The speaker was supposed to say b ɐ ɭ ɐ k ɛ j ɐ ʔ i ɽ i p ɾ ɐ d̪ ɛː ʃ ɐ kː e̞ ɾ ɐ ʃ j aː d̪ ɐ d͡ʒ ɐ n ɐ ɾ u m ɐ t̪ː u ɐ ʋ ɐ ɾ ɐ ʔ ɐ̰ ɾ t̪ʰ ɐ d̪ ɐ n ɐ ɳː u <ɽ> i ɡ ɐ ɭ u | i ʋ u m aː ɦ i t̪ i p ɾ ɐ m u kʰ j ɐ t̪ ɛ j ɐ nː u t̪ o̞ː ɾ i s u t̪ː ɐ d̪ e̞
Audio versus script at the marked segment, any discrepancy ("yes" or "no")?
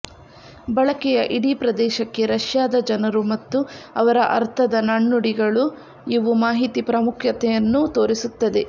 no